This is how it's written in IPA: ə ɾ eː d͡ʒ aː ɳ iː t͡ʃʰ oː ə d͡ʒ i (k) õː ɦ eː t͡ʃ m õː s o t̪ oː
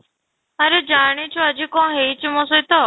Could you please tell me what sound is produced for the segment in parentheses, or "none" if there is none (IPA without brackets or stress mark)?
k